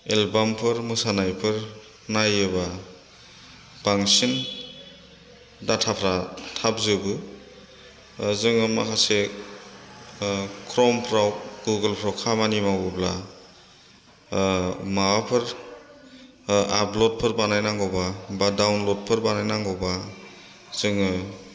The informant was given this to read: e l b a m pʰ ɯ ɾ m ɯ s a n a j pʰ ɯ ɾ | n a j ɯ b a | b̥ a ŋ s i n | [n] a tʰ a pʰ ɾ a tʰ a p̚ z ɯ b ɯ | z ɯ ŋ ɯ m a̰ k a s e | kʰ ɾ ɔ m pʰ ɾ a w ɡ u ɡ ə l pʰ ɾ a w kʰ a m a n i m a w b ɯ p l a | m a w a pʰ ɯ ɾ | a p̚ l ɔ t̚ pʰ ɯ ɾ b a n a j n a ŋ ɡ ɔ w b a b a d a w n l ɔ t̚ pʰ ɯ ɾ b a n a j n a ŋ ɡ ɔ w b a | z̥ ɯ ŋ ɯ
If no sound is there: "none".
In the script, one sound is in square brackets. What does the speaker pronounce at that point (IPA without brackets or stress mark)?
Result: d